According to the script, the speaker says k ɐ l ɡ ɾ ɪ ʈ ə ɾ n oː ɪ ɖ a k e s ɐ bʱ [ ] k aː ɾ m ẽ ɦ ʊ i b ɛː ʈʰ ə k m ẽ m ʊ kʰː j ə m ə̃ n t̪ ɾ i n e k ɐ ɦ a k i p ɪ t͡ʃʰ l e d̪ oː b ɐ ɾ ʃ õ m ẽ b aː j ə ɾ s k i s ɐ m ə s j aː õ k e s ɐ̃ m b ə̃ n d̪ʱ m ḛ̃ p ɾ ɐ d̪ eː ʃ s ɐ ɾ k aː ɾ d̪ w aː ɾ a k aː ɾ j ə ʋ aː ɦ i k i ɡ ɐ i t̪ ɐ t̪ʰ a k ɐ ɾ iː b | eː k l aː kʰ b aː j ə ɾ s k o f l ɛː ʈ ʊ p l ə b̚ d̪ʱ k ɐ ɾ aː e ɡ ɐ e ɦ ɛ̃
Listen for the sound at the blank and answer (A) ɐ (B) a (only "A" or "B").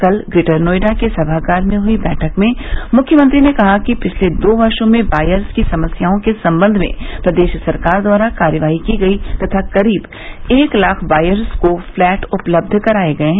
B